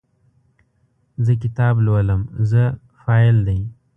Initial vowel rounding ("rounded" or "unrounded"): unrounded